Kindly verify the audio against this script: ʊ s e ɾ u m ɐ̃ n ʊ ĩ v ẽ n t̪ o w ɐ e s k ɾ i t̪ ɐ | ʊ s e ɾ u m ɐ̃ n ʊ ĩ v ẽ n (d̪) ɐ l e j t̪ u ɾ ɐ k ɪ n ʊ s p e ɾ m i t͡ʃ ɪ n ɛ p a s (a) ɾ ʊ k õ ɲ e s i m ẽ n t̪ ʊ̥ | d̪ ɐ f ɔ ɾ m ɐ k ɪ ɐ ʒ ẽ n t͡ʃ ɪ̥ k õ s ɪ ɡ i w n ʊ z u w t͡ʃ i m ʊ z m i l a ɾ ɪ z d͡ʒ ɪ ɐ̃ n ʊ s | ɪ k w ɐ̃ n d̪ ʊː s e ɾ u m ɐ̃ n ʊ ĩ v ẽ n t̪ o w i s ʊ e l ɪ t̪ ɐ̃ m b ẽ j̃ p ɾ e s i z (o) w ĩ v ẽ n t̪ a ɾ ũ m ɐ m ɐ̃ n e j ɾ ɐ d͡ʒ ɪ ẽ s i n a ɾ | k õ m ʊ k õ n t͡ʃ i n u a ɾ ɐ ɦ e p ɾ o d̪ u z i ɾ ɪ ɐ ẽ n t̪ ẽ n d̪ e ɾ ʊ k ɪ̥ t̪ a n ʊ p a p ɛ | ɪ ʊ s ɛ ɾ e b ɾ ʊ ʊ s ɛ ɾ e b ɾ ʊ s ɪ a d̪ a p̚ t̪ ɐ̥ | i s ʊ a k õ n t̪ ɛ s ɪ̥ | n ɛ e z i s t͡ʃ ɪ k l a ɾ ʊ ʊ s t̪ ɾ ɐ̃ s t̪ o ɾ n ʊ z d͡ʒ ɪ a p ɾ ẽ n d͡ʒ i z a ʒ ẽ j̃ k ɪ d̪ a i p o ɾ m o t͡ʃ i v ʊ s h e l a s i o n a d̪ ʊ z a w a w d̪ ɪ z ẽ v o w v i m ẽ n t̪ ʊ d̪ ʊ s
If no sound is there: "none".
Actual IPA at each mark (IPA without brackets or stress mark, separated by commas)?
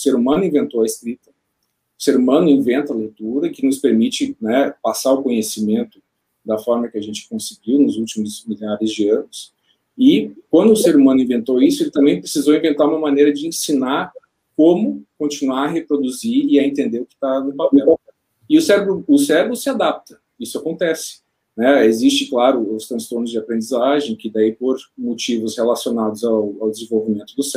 t̪, a, o